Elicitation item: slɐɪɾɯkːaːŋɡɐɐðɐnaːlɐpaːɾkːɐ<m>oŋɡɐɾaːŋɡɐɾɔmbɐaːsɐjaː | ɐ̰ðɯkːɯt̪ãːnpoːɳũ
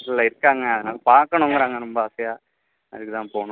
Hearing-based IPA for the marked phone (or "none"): ɳ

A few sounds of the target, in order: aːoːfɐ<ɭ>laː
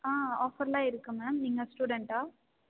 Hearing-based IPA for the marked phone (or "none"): ɾ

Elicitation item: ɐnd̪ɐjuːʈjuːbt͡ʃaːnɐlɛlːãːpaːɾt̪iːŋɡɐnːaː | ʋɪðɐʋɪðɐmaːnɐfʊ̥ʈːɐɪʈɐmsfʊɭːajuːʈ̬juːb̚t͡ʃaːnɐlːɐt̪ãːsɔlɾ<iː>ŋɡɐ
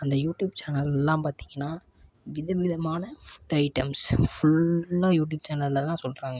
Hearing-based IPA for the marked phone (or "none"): aː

